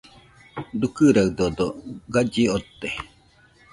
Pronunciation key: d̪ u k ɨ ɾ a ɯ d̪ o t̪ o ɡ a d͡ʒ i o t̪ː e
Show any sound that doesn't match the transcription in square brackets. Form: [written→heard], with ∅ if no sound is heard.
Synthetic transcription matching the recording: d̪ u k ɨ ɾ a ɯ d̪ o [t̪→d̪] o ɡ a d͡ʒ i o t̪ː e